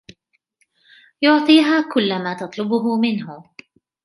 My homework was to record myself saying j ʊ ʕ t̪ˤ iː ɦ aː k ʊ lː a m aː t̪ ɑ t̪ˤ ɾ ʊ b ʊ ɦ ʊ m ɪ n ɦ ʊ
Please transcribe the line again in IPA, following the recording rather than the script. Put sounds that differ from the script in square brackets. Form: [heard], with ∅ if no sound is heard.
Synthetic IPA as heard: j ʊ ʕ t̪ˤ iː ɦ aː k ʊ lː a m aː t̪ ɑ t̪ˤ [l] ʊ b ʊ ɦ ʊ m ɪ n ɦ ʊ